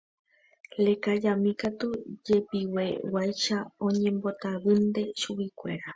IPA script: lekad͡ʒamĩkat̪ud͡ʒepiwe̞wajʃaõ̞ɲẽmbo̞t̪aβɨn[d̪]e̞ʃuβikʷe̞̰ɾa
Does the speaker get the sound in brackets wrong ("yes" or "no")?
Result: no